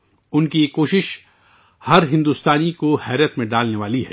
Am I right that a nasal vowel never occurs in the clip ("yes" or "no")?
no